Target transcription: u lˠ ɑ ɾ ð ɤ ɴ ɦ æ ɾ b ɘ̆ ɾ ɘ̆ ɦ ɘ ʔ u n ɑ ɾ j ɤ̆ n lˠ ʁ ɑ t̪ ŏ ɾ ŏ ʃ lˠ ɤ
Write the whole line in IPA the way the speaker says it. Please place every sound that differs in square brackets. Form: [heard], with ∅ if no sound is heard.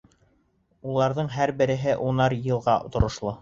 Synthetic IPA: u lˠ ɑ ɾ ð ɤ ɴ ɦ æ ɾ b ɘ̆ ɾ ɘ̆ ɦ ɘ ʔ u n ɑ ɾ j ɤ̆ [∅] lˠ ʁ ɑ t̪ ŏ ɾ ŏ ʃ lˠ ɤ